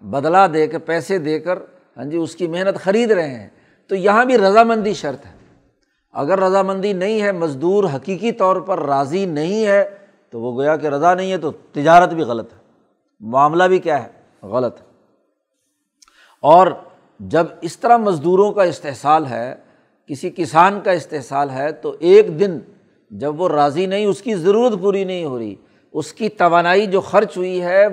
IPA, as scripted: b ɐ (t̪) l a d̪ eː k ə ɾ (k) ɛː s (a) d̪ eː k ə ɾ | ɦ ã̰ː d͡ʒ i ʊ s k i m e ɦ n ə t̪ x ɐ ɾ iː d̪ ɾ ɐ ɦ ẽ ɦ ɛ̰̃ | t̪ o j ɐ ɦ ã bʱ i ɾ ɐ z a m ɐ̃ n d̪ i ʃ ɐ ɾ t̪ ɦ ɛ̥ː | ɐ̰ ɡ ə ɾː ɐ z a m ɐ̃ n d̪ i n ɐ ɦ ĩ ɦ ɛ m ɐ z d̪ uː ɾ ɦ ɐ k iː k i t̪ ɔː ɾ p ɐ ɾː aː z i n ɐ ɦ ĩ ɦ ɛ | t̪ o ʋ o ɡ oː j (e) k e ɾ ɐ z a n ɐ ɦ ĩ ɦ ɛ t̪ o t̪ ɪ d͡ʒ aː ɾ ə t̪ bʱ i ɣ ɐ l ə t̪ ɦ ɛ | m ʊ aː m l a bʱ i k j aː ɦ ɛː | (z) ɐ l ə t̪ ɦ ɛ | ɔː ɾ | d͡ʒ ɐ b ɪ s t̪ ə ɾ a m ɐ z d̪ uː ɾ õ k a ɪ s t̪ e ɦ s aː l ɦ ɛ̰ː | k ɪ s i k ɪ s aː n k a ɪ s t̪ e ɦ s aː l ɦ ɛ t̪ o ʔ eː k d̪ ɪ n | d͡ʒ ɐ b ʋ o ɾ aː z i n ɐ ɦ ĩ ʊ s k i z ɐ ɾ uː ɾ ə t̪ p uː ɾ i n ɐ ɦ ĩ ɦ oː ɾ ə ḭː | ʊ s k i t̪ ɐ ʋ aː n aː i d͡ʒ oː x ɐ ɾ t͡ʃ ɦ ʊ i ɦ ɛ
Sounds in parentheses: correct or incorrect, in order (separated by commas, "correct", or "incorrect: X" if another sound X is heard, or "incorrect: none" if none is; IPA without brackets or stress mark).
incorrect: d̪, incorrect: p, incorrect: e, incorrect: a, incorrect: ɣ